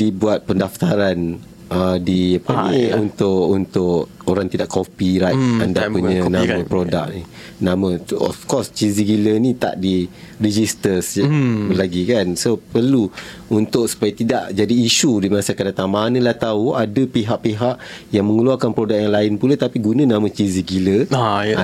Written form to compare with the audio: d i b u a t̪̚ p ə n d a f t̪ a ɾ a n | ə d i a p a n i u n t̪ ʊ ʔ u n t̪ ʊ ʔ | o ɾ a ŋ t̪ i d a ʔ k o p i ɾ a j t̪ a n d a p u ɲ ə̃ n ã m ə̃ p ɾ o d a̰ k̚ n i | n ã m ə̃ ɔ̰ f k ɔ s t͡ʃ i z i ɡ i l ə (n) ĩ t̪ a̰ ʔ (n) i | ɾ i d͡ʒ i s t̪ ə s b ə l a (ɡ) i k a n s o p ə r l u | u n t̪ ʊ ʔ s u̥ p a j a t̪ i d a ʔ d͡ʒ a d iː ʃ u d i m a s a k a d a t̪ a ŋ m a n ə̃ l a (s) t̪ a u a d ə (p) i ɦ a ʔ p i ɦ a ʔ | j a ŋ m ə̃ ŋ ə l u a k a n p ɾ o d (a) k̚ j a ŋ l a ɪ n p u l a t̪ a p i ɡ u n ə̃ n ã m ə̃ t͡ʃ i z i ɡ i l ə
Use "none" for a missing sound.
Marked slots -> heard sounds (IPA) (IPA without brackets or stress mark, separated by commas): n, d, ɡ, h, p, a